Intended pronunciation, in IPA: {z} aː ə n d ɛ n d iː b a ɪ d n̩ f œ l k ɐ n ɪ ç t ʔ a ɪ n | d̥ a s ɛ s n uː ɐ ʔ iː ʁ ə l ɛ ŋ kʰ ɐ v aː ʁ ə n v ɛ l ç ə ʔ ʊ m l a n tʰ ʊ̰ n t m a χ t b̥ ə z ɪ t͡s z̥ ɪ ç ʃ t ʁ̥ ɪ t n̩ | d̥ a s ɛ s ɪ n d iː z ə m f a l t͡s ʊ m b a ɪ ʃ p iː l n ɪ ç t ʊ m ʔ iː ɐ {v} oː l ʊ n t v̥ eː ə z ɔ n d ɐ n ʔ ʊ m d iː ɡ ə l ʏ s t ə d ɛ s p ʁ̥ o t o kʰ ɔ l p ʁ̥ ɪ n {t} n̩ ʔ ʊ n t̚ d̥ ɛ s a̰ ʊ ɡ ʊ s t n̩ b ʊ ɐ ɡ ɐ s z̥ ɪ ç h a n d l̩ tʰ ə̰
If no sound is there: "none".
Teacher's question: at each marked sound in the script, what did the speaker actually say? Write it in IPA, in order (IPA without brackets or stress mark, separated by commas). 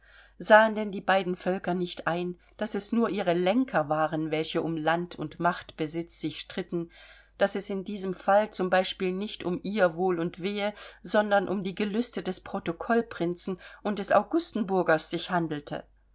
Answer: z, v, t͡s